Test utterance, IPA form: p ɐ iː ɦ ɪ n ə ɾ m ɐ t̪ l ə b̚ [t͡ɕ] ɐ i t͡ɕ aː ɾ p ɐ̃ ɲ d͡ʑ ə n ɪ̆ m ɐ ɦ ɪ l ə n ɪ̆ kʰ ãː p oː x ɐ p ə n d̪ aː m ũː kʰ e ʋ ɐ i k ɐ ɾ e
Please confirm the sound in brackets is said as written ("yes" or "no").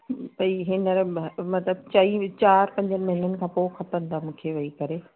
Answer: yes